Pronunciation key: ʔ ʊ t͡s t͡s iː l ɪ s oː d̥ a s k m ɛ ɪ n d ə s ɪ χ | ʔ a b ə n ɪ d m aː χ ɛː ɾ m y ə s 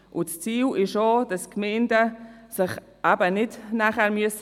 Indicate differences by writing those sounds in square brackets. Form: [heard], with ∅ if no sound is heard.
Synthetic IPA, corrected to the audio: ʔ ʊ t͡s t͡s iː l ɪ [ʃ] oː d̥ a s k m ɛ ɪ n d ə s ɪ χ | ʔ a b ə n ɪ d [n] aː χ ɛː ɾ m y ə s

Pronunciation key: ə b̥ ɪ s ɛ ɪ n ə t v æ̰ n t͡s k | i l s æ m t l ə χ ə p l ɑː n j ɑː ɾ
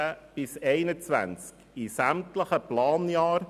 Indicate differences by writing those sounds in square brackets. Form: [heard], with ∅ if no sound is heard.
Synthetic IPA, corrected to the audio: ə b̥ ɪ s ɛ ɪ n ə [t͡s] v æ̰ n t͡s k | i [∅] s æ m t l ə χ ə p l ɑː n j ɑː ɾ

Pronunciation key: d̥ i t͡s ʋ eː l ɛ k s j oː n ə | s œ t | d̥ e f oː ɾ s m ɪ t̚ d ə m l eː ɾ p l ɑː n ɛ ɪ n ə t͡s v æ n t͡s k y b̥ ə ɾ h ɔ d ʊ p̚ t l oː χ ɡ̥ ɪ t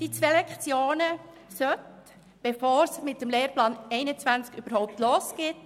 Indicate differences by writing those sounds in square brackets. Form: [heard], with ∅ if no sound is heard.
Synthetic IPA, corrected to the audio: d̥ i t͡s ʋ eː l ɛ k [t͡s] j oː n ə | s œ t | [b̥] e f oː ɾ s m ɪ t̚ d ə m l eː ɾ p l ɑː n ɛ ɪ n ə t͡s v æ n t͡s k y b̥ ə ɾ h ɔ [∅] ʊ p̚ t l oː [s] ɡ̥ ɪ t

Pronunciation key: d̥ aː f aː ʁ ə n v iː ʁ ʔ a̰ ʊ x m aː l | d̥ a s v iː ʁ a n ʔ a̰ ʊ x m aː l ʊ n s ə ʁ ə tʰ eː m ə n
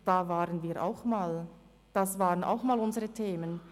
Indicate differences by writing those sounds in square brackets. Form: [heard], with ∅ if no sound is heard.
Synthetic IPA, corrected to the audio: d̥ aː [v] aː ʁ ə n v iː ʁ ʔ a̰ ʊ x m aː l | d̥ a s v [aː] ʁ [ə] n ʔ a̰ ʊ x m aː l ʊ n [z] ə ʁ ə tʰ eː m ə n

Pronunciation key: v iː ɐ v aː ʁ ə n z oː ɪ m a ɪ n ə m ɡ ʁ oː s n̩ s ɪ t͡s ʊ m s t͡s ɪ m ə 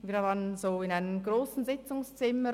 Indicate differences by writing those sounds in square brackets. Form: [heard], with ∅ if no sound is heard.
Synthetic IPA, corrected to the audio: v iː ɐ v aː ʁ ə n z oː ɪ [n] a ɪ n ə m ɡ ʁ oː s n̩ [z] ɪ t͡s ʊ [ŋ] s t͡s ɪ m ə

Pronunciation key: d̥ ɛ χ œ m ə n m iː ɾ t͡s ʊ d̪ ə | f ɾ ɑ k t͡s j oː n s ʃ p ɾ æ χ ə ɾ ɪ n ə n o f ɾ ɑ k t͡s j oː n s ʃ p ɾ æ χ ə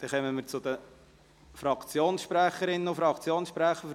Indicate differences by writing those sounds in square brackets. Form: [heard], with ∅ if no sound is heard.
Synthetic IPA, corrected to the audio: d̥ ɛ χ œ m ə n m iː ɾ t͡s ʊ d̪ ə | f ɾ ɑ k t͡s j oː n s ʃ p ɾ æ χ ə ɾ ɪ n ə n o f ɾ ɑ k t͡s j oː n s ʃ p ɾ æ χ ə

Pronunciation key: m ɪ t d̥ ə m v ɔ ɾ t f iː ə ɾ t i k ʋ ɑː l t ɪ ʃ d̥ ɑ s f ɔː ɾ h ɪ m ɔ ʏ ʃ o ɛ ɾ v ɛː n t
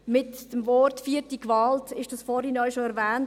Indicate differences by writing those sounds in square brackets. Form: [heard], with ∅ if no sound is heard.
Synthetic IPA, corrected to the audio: m ɪ t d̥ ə m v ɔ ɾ t f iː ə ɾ t i k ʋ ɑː l t ɪ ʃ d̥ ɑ s f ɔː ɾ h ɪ [n] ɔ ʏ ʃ o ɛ ɾ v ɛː n t

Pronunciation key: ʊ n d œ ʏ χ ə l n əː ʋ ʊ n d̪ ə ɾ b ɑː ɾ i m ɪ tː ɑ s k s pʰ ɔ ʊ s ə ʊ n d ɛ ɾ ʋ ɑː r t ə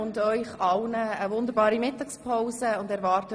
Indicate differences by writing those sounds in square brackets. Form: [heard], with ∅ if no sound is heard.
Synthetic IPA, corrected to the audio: ʊ n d œ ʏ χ [ɑ] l n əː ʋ ʊ n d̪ ə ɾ b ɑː ɾ i m ɪ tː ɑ [∅] k s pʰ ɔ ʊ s ə ʊ n d ɛ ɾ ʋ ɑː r t ə

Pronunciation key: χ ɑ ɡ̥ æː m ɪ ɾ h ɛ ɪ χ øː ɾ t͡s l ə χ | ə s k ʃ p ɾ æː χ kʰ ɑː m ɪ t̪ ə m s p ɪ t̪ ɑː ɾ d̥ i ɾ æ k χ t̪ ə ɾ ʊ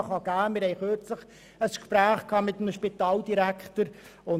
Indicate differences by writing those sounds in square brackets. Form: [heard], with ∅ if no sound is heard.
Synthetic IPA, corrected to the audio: χ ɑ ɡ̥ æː m ɪ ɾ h ɛ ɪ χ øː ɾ t͡s l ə χ | ə s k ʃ p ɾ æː χ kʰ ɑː m ɪ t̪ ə m [ʃ] p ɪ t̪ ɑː [l] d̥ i ɾ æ k χ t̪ ə ɾ ʊ

